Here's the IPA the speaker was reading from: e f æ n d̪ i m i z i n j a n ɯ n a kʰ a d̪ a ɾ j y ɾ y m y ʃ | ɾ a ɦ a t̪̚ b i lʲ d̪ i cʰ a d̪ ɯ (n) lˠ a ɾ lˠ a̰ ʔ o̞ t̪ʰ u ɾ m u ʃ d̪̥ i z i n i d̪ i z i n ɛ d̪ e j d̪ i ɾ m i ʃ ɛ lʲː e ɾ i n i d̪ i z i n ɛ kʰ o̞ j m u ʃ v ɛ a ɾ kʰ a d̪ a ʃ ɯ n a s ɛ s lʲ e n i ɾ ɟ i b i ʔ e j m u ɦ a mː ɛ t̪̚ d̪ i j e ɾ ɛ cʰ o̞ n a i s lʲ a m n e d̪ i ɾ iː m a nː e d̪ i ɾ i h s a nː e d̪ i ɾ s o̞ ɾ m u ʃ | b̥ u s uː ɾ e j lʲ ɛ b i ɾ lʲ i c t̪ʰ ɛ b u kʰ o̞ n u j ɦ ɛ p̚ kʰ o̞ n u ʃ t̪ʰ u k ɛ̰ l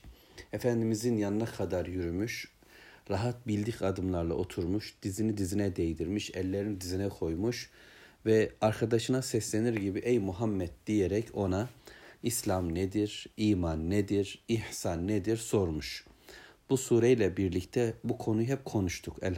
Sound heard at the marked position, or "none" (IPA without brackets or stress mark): m